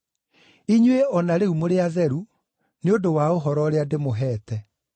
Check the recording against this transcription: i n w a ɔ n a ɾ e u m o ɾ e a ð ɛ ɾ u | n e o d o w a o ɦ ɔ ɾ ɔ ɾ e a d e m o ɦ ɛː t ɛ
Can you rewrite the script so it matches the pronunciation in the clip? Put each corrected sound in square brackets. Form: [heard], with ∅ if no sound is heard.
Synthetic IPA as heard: i [ɲ] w [e] ɔ n a ɾ e u m o ɾ e a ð ɛ ɾ u | n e o d o w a o ɦ ɔ ɾ ɔ ɾ e a d e m o ɦ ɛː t ɛ